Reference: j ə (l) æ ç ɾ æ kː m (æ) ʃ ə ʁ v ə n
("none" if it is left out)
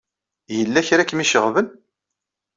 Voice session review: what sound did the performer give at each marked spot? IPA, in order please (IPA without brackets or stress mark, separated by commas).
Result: lː, i